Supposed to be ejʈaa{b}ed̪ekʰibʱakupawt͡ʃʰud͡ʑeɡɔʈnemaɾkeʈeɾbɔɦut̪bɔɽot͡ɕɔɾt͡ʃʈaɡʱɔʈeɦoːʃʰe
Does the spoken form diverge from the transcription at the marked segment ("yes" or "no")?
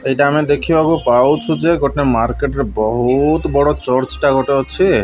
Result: yes